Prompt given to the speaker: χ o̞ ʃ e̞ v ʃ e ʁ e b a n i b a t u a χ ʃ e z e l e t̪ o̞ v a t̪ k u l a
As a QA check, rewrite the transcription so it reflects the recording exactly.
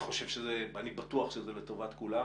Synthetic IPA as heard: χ o̞ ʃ e̞ v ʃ e z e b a n i b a t u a χ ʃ e z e l e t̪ o̞ v a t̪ k u l a